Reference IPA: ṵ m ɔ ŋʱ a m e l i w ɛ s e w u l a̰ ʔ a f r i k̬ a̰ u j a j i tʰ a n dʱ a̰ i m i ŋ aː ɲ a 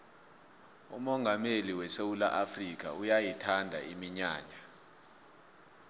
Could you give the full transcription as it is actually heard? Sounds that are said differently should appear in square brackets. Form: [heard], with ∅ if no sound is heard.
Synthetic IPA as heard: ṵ m ɔ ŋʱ a m e l i w ɛ s e w u l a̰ ʔ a f r i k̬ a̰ u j a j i tʰ a n dʱ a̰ i m i [ɲ] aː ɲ a